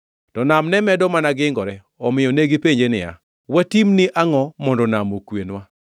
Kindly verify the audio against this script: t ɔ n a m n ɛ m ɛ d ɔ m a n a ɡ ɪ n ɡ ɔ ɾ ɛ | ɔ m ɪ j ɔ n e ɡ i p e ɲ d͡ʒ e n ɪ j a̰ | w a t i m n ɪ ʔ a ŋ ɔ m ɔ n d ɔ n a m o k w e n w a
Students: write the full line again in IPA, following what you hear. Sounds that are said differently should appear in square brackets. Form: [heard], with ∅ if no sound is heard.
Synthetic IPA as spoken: t ɔ n a m n ɛ m ɛ d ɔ m a n a ɡ ɪ [ŋ] ɡ ɔ ɾ ɛ | ɔ m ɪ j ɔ n e ɡ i p e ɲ d͡ʒ e n ɪ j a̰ | w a t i m n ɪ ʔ a ŋ ɔ m ɔ n d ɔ n a m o k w e n w a